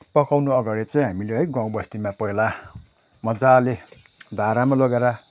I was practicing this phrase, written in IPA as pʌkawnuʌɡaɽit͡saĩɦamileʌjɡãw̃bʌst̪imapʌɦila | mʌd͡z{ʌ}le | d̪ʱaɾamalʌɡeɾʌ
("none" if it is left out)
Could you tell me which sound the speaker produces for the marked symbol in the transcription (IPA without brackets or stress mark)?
a